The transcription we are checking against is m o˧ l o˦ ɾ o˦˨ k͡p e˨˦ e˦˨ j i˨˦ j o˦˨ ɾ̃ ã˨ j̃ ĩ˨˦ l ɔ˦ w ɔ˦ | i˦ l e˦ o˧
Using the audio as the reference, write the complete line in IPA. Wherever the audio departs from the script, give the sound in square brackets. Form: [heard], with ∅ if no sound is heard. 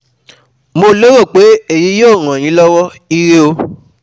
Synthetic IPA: m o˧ l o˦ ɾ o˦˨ k͡p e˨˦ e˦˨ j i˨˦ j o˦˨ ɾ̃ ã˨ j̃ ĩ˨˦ l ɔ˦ w ɔ˦ | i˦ [ɾ] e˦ o˧